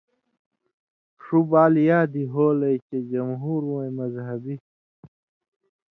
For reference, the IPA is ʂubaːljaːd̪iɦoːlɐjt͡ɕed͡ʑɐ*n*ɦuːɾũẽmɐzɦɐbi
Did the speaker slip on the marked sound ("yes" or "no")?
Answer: yes